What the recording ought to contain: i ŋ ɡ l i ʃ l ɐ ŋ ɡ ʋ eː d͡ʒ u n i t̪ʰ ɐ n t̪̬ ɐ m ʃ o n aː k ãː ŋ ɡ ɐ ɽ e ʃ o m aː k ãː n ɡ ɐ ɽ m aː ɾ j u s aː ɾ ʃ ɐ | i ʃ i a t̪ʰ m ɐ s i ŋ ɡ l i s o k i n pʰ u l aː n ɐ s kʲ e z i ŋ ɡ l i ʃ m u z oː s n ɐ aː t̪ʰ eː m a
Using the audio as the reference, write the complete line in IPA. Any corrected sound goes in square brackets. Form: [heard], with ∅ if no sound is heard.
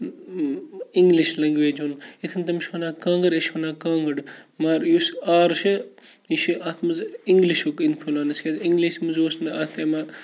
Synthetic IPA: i ŋ ɡ l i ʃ l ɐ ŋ ɡ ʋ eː d͡ʒ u n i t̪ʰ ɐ n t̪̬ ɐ m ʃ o n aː k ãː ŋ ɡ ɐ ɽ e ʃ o [n] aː k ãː [ŋ] ɡ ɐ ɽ m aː ɾ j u s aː ɾ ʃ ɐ | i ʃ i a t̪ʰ m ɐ [z] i ŋ ɡ l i [ʃ] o k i n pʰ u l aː n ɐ s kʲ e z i ŋ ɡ l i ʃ m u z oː s n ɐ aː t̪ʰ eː m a